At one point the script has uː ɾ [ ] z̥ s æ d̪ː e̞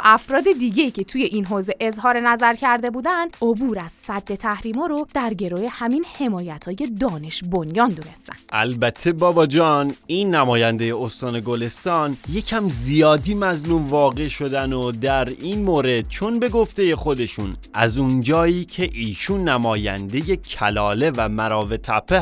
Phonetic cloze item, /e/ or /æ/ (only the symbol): æ